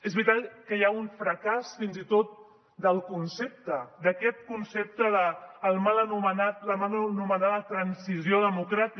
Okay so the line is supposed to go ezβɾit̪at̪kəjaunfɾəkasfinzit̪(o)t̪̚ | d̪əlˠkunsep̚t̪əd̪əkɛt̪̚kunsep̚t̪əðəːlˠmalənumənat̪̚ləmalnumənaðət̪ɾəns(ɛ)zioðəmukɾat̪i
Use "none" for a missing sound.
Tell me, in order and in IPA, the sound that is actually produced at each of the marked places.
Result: o, i

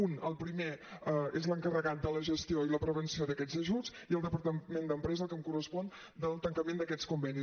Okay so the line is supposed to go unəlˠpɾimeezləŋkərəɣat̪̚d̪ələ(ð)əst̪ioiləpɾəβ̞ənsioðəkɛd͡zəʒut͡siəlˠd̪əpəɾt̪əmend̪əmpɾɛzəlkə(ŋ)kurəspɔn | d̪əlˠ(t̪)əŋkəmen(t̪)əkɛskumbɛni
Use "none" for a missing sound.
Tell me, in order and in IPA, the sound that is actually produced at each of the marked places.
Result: ʒ, m, t̪, d̪

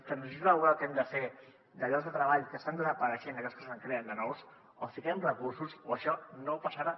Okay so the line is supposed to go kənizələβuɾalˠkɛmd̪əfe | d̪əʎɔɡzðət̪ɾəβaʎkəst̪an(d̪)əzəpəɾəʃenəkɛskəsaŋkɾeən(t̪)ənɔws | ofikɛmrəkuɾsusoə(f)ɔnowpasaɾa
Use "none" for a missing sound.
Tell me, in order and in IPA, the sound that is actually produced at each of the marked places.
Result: d̪, d̪, ʃ

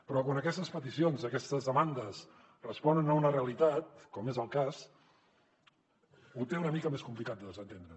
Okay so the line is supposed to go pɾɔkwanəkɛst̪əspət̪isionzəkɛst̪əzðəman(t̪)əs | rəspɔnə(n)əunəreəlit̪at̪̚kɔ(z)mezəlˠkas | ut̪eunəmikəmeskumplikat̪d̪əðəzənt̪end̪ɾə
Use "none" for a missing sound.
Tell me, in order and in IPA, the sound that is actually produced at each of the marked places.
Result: d̪, n, none

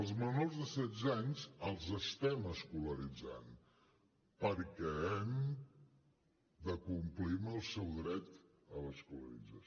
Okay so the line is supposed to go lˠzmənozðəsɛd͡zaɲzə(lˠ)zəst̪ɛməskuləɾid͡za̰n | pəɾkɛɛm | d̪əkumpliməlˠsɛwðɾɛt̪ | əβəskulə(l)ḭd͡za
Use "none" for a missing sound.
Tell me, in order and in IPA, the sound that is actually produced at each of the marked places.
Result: lˠ, ɾ

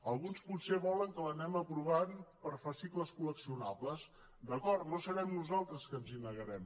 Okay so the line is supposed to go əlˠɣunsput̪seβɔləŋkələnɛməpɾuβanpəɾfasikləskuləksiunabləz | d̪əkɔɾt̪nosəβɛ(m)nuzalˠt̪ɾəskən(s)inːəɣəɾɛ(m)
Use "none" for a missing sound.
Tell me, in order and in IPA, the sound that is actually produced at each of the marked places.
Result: m, z, m

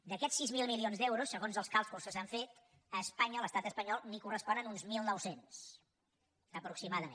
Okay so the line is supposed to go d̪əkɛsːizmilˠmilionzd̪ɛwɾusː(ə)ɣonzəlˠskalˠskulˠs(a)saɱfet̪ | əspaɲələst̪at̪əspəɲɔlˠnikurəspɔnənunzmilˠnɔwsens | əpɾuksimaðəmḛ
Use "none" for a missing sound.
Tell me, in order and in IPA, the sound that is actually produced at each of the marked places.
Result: ə, ə

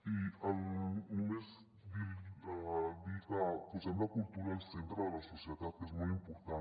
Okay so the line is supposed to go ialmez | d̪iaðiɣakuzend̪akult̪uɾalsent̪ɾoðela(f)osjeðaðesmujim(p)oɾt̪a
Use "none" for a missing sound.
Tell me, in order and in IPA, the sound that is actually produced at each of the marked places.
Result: s, p

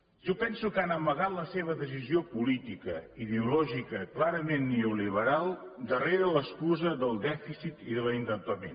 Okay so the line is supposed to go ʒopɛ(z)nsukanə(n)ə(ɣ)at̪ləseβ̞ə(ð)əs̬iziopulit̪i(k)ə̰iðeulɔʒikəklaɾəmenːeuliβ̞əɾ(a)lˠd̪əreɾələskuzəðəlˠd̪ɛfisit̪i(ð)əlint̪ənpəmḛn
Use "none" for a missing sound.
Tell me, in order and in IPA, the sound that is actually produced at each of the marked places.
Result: none, m, ɣ, ð, k, a, ð

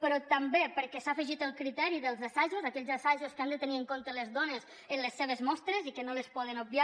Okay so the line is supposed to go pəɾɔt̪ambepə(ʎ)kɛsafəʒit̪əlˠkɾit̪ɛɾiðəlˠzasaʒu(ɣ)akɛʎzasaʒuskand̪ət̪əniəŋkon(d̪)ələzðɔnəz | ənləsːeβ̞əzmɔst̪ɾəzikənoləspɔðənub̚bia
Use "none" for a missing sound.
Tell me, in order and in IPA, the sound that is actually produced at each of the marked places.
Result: ɾ, z, t̪

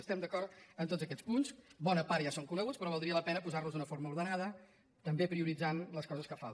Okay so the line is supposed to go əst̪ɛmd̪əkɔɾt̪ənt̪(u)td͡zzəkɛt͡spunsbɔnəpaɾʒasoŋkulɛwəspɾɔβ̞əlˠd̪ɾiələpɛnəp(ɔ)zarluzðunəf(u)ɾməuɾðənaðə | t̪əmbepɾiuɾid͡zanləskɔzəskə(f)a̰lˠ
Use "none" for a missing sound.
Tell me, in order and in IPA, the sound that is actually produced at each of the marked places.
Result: o, u, o, f

